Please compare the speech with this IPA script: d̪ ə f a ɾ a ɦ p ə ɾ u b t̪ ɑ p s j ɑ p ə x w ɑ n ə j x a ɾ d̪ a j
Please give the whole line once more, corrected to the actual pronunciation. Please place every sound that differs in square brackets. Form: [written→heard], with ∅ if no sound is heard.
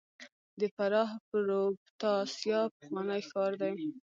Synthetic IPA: d̪ ə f a ɾ [a→ɑ] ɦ p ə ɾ [u→o] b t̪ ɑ [p→∅] s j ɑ p ə x w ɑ n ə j x [a→ɑ] ɾ d̪ a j

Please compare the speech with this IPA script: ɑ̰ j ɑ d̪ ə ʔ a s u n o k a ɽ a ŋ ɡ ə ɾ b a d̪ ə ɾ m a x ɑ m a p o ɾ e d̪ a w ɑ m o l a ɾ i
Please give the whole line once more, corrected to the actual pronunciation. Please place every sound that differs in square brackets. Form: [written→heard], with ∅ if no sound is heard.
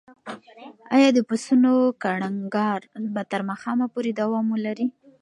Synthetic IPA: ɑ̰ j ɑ d̪ ə [ʔ→p] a s u n o k a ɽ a ŋ ɡ [ə→ɑ] ɾ b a [d̪→t̪] ə ɾ m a x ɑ m a p o ɾ e d̪ a w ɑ m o l a ɾ i

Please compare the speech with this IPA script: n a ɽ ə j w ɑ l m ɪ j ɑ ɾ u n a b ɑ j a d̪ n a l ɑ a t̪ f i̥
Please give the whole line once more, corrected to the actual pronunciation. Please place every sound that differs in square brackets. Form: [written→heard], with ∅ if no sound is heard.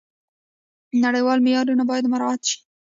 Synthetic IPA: n a ɽ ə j w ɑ l m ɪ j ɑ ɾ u n a b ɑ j a d̪ [n→m] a [l→ɾ] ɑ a t̪ [f→ʃ] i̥

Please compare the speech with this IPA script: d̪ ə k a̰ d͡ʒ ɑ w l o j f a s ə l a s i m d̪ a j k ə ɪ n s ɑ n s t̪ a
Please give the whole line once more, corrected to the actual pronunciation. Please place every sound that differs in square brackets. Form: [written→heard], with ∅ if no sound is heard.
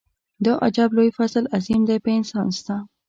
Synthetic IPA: d̪ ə [k→ʔ] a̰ d͡ʒ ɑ [w→b] l o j f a s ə l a [s→z] i m d̪ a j [k→p] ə ɪ n s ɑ n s t̪ a

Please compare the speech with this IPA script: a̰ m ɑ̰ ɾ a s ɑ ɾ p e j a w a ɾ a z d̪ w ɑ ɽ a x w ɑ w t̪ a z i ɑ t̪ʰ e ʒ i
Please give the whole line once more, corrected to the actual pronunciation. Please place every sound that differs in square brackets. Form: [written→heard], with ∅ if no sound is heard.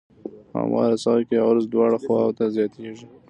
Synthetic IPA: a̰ m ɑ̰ ɾ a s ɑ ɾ [p→k] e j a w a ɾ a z d̪ w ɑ ɽ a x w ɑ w t̪ a z [i→j] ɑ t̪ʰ e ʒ i

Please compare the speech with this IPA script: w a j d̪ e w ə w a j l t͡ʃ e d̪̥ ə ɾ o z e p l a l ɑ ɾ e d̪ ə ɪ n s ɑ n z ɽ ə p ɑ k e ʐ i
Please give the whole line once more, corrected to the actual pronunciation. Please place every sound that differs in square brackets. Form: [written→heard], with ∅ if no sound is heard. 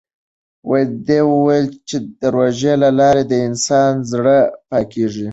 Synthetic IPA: w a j d̪ e w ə w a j l t͡ʃ e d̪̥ ə ɾ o [z→ʒ] e [p→∅] l a l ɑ ɾ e d̪ ə ɪ n s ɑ n z ɽ ə p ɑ k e ʐ i

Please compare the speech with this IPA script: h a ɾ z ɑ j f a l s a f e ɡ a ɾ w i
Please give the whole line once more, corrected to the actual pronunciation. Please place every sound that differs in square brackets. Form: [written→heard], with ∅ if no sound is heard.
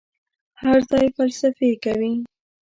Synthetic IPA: h a ɾ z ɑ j f a l s a f e [ɡ→k] a [ɾ→∅] w i

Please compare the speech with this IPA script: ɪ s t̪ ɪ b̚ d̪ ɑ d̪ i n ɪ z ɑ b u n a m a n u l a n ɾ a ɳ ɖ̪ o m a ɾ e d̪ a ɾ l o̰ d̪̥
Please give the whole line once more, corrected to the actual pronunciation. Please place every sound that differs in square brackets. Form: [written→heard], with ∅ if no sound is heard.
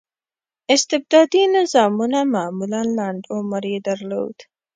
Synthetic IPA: ɪ s t̪ ɪ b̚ d̪ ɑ d̪ i n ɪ z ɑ [b→m] u n a m a [n→m] u l a n [ɾ→l] a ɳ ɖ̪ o m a ɾ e d̪ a ɾ l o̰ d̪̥

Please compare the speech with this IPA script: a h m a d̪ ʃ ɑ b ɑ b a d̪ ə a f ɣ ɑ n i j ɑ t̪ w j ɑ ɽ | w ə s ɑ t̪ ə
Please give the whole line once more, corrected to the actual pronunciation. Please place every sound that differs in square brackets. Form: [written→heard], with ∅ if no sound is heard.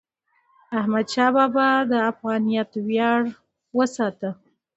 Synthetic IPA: a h m a d̪ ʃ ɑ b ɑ b a d̪ ə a f ɣ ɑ n i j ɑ t̪ w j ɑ ɽ | w ə s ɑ t̪ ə

